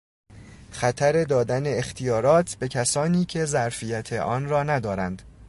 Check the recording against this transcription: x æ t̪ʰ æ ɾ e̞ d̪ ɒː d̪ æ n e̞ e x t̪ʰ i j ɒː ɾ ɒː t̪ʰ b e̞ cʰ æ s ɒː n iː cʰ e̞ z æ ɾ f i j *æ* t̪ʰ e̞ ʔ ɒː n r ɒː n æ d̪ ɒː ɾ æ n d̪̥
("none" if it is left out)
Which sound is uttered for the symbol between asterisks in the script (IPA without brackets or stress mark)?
æ